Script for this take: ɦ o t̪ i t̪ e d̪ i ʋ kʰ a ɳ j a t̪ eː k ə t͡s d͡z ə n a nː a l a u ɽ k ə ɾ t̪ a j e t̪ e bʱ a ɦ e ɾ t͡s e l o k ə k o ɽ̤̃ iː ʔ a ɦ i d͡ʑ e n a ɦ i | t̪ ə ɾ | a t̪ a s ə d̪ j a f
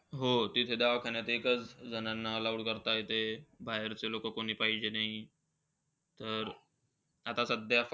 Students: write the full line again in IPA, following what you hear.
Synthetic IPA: ɦ o t̪ i t̪ʰ e d̪ a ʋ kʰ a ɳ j a t̪ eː k ə t͡s d͡z ə n a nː a l a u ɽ k ə ɾ t̪ a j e t̪ e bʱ a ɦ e ɾ t͡s e l o k ə k o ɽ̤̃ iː p a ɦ i d͡ʑ e n a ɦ i | t̪ ə ɾ | a t̪ a s ə d̪ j a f